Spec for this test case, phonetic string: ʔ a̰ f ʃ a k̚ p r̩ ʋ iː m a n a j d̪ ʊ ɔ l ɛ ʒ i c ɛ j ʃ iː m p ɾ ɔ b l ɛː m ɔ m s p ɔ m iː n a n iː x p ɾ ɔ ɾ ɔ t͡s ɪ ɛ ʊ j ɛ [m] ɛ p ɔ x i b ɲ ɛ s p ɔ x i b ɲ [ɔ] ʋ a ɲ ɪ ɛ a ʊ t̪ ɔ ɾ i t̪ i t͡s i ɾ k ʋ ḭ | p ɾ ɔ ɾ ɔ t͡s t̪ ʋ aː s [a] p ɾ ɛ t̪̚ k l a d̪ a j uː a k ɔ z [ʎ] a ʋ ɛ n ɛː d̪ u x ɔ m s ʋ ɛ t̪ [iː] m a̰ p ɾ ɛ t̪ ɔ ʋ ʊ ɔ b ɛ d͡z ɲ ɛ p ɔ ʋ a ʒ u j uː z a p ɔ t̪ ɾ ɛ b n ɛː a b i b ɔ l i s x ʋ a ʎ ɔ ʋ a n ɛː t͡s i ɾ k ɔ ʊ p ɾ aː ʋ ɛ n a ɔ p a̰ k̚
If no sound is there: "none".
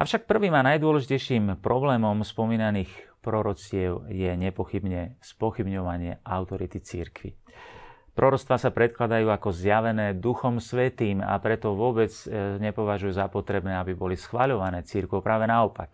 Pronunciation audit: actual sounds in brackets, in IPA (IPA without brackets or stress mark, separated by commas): ɲ, ɔ, a, j, iː